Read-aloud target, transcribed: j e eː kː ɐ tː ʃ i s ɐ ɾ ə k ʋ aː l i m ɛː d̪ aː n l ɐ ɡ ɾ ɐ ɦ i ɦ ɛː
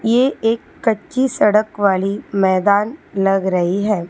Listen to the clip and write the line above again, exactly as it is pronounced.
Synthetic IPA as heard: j e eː kː ɐ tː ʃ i s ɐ ɽ ə k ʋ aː l i m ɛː d̪ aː n l ɐ ɡ ɾ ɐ ɦ i ɦ ɛː